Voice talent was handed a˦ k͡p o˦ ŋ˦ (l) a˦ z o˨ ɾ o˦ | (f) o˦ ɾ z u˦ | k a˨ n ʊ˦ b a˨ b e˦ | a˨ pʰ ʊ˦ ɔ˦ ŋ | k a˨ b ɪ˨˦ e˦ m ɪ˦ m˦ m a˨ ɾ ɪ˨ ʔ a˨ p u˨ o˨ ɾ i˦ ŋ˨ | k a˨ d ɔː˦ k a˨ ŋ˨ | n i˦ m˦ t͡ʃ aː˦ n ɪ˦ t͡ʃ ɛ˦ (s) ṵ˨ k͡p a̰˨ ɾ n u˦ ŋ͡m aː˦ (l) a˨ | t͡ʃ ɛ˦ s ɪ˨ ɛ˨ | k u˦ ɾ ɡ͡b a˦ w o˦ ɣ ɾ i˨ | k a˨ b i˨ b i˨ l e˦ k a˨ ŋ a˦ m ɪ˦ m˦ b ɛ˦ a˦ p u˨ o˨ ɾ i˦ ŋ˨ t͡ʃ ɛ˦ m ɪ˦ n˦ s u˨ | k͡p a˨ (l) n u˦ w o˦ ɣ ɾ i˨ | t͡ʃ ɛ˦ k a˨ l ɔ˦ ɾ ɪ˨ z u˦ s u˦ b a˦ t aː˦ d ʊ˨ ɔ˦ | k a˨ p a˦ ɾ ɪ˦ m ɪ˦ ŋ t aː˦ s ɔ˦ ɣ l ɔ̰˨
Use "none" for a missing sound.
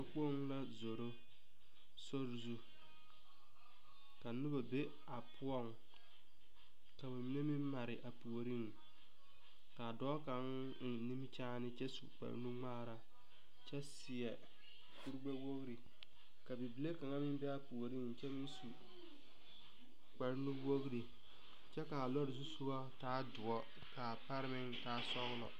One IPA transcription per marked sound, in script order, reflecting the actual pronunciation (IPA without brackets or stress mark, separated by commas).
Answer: l, s, s, ɾ, ɾ